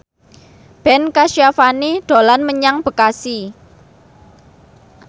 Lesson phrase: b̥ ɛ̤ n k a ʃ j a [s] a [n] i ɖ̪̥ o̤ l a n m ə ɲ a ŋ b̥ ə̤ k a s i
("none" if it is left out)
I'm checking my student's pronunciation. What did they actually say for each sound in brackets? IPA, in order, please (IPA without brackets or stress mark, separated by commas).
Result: f, n